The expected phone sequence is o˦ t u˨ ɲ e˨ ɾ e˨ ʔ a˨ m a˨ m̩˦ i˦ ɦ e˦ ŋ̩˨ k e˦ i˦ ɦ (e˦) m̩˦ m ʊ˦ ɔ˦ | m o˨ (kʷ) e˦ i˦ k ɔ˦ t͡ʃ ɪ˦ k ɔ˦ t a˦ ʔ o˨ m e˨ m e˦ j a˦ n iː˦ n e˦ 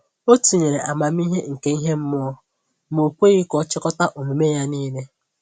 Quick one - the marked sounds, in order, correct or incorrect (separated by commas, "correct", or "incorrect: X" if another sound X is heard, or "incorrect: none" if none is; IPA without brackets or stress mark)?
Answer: correct, correct